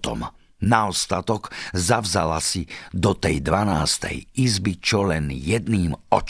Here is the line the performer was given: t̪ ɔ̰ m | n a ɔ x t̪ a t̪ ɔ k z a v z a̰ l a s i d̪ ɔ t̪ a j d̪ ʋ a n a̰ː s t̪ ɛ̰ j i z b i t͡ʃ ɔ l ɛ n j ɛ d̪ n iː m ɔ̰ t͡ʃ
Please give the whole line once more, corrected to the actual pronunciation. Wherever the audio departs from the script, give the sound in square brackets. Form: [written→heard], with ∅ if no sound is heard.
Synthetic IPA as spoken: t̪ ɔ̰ m | n a ɔ [x→s] t̪ a t̪ ɔ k z a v z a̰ l a s i d̪ ɔ t̪ [a→ɛ] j d̪ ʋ a n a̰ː s t̪ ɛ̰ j i z b i t͡ʃ ɔ l ɛ n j ɛ d̪ n iː m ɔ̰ t͡ʃ